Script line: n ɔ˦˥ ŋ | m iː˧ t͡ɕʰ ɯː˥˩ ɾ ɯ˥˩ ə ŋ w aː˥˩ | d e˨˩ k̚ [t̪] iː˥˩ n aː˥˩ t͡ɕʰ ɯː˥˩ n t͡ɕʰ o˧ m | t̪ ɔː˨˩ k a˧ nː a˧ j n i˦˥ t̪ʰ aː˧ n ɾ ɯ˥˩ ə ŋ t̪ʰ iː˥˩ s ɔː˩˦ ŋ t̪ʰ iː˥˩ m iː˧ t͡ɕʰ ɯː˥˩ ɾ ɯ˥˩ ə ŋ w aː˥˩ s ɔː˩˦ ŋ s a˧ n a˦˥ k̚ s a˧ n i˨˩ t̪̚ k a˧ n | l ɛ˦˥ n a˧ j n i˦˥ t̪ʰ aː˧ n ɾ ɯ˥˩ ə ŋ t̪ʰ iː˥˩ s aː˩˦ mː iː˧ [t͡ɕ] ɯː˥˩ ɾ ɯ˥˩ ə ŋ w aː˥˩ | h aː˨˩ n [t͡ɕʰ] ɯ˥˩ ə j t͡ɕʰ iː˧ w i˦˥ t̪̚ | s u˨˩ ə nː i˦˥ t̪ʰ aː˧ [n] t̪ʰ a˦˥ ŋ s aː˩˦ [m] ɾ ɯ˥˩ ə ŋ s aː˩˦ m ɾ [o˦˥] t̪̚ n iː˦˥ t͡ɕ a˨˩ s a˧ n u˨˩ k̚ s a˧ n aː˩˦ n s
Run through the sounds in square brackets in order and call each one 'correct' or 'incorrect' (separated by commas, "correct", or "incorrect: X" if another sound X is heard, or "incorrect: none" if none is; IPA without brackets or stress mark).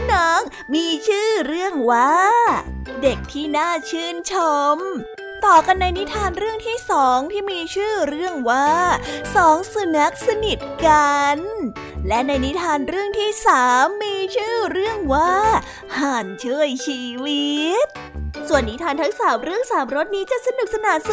incorrect: t̪ʰ, incorrect: t͡ɕʰ, correct, correct, correct, correct